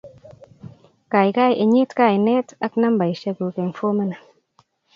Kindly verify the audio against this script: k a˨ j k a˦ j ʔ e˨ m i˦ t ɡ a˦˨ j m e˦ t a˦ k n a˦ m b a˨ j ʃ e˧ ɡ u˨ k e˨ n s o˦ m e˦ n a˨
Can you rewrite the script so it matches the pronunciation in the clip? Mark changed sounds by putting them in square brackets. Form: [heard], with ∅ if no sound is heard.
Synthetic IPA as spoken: k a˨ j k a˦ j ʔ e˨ [ɲ] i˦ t [k] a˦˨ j [n] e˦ t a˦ k n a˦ m b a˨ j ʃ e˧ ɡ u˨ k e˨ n [f] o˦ m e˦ n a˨